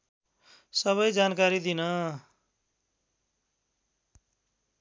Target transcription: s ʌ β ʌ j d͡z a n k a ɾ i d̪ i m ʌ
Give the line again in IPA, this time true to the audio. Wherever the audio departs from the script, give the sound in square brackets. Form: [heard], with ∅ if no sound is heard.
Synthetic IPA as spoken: s ʌ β ʌ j d͡z a n k a ɾ i d̪ i [n] ʌ